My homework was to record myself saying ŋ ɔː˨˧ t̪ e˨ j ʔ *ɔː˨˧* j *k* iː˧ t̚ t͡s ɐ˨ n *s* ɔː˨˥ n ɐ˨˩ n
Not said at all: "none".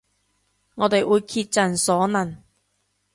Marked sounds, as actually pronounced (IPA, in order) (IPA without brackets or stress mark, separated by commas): uː˨˧, kʰ, s